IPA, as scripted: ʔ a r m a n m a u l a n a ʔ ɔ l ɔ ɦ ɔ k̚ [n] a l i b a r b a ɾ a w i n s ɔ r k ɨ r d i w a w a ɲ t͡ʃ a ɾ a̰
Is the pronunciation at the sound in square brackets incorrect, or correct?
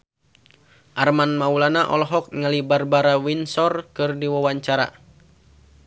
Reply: incorrect